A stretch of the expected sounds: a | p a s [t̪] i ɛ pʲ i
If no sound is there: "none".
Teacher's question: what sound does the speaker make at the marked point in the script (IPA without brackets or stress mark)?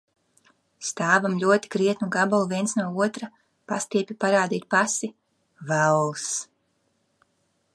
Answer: t̪